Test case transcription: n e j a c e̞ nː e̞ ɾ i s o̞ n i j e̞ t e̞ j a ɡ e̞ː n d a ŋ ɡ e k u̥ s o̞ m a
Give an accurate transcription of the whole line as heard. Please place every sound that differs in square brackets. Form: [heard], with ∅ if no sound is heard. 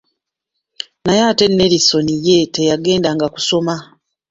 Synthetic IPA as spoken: n [a] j a [t] e̞ nː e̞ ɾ i s o̞ n i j e̞ t e̞ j a ɡ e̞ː n d a ŋ ɡ [a] k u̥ s o̞ m a